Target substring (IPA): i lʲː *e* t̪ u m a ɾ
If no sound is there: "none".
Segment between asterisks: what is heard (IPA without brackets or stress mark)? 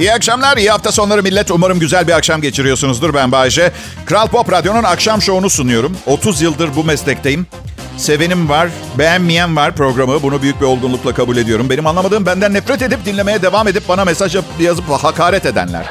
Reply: ɛ